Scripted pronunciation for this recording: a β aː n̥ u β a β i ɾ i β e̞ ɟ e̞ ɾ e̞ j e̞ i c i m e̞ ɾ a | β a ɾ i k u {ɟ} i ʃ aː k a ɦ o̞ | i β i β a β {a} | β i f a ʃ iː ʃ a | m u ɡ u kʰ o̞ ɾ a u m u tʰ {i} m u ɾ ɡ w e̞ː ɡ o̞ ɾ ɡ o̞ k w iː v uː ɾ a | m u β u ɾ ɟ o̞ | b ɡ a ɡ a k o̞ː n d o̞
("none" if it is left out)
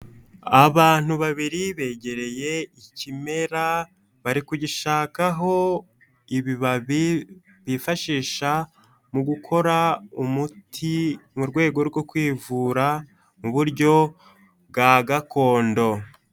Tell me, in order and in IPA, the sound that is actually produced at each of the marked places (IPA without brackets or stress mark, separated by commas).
ɟ, i, i